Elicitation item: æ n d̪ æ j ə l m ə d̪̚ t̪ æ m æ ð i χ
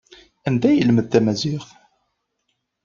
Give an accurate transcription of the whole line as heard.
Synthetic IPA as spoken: æ n d̪ æ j ə l m ə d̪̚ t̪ æ m æ z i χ

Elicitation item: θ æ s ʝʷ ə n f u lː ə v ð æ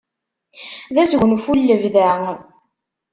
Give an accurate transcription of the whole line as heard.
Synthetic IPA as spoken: ð æ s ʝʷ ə n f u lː ə v ð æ

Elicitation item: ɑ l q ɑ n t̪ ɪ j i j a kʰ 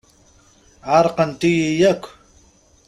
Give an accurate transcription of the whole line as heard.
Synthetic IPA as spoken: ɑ ɾ q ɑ n t̪ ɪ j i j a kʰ

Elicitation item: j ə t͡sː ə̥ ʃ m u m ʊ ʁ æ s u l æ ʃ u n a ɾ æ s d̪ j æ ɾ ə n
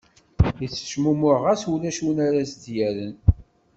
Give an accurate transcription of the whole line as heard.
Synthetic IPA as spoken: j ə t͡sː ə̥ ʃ m u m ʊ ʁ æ s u l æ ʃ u n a ɾ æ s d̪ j æ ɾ ə n

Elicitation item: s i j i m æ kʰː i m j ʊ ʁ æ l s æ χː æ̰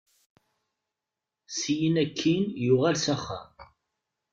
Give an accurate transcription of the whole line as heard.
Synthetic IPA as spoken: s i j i n æ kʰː i n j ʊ ʁ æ l s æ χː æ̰

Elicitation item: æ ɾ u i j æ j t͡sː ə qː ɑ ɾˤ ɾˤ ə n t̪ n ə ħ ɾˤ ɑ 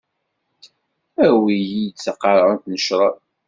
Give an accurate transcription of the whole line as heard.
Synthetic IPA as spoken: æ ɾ w i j i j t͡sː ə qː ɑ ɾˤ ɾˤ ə n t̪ n ə ʃ ɾˤ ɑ

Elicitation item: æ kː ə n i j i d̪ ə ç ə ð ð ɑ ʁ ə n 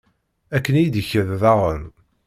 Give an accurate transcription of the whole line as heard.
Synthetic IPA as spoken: æ kː ə n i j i d̪ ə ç ə ð ð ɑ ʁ ə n

